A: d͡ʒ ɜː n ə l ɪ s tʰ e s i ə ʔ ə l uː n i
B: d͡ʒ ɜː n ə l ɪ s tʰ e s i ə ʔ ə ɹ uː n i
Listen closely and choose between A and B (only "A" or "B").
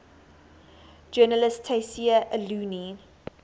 A